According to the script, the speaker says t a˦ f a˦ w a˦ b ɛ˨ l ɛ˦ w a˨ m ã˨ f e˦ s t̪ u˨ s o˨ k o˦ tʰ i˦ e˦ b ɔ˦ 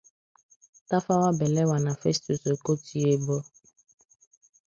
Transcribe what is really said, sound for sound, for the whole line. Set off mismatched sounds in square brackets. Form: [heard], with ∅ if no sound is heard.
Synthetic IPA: t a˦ f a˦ w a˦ b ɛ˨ l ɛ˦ w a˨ [n] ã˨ f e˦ s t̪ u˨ s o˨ k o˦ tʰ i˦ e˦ b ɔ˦